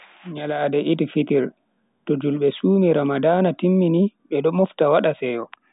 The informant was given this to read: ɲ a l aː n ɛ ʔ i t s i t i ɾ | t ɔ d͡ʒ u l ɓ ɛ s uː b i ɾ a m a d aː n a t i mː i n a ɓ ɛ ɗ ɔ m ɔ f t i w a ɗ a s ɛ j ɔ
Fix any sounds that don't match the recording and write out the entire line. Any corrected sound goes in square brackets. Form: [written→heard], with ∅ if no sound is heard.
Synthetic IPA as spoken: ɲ a l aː [n→d] ɛ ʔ i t [s→f] i t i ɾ | t ɔ d͡ʒ u l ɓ ɛ s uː [b→m] i ɾ a m a d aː n a t i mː i n [a→i] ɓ ɛ ɗ ɔ m ɔ f t [i→a] w a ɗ a s ɛ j ɔ